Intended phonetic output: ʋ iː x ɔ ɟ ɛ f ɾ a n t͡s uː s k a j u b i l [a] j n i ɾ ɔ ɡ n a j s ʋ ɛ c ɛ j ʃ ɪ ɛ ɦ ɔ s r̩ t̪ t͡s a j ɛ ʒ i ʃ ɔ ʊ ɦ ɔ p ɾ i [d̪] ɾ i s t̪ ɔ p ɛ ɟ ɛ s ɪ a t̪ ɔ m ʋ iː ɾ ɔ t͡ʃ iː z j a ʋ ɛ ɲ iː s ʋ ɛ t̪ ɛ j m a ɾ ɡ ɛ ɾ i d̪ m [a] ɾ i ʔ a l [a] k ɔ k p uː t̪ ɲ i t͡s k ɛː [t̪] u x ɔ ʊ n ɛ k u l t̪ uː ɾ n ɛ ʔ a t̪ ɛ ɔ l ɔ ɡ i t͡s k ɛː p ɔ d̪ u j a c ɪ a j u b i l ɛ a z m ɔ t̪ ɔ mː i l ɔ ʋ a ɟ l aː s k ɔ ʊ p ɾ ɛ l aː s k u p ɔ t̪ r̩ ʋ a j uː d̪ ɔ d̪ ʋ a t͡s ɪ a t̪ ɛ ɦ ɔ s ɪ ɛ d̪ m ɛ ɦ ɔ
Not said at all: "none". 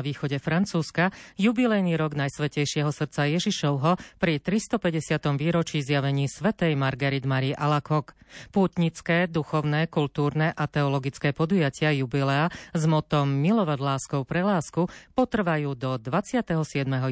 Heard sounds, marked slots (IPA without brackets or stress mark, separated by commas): ɛ, t̪, a, a, d̪